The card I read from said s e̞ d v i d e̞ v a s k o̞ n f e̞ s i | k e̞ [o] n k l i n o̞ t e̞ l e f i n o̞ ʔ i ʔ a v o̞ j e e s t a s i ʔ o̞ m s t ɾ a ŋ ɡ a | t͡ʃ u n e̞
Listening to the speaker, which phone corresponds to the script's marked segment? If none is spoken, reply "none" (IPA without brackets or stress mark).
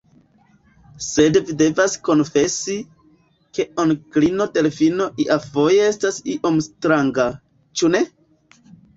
o